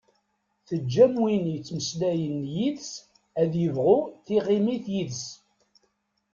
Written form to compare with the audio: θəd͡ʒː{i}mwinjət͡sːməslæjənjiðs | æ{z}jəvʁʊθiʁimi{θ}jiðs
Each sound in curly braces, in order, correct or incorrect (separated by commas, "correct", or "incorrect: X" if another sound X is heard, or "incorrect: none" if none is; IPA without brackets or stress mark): incorrect: æ, incorrect: ð, correct